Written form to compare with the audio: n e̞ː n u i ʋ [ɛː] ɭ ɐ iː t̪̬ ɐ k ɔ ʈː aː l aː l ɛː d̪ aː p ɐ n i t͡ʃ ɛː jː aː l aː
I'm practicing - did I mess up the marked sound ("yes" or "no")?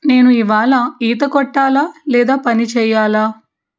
yes